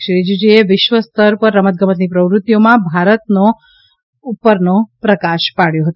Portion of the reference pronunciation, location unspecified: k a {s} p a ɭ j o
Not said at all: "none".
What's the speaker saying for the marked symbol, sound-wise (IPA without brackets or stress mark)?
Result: ʃ